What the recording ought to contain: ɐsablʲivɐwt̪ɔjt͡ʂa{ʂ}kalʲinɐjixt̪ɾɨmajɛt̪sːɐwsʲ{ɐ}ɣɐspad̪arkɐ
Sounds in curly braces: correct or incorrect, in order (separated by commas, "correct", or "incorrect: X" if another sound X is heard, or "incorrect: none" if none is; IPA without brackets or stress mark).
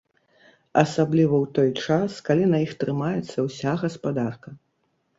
incorrect: s, incorrect: a